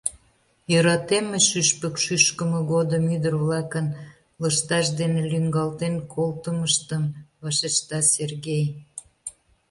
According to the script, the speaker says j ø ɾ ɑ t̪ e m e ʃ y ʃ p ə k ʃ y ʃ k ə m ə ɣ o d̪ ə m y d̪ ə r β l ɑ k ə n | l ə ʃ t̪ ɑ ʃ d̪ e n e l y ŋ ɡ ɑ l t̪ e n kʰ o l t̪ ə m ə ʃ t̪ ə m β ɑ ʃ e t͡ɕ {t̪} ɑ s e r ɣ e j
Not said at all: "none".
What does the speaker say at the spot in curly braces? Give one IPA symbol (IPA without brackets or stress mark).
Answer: t̪